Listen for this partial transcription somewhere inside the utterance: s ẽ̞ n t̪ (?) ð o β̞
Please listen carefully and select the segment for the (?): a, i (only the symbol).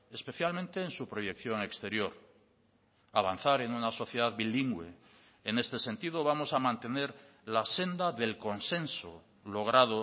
i